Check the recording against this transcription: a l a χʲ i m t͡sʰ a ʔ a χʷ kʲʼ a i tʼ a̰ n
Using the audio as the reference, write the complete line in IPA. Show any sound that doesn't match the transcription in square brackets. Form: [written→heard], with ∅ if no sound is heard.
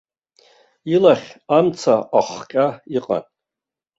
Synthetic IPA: [a→i] l a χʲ [i→a] m t͡sʰ a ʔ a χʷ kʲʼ a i [tʼ→qʼ] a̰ n